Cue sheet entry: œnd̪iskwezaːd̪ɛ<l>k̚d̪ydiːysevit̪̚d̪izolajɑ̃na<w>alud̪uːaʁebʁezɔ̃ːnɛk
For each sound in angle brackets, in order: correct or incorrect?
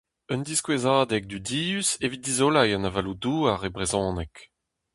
incorrect: none, incorrect: v

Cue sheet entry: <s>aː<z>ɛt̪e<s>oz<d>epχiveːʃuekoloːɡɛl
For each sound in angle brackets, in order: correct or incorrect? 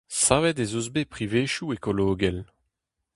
correct, incorrect: v, incorrect: z, incorrect: b

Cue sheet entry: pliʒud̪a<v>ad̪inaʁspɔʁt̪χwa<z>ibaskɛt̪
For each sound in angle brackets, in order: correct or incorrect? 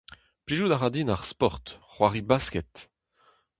incorrect: ʁ, incorrect: ʁ

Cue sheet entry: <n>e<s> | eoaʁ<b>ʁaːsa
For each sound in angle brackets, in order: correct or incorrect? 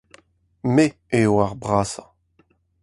incorrect: m, incorrect: none, correct

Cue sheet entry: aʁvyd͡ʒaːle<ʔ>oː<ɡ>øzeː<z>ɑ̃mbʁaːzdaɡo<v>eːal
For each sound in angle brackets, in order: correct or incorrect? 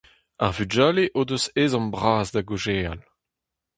correct, incorrect: d, correct, incorrect: ʒ

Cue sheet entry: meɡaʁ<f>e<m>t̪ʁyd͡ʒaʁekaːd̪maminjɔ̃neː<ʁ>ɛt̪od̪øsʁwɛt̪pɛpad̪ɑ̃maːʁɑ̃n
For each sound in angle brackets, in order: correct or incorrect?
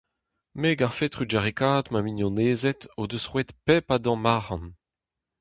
correct, incorrect: none, incorrect: z

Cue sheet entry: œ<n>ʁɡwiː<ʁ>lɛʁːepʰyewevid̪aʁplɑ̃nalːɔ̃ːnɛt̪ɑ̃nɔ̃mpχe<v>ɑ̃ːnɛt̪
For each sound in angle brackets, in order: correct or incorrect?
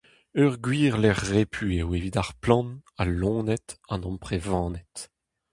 incorrect: none, correct, correct

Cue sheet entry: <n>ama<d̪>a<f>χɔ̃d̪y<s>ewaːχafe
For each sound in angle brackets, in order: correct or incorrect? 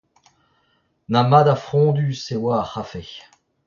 correct, correct, correct, correct

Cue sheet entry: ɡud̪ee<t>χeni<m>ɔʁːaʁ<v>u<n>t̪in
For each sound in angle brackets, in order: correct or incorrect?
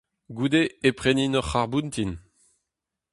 incorrect: p, incorrect: n, incorrect: b, correct

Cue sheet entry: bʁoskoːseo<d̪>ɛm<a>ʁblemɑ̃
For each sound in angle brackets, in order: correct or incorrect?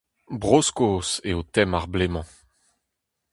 incorrect: t̪, correct

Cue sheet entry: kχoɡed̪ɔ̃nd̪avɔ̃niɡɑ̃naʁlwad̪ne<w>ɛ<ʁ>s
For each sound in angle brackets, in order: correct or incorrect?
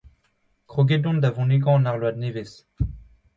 incorrect: v, incorrect: none

